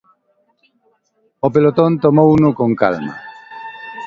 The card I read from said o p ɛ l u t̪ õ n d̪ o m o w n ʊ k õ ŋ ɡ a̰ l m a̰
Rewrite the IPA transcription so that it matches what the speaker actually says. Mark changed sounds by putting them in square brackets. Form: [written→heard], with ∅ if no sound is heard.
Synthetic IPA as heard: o p [ɛ→e] l [u→o] t̪ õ n [d̪→t̪] o m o w n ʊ k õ ŋ [ɡ→k] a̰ l m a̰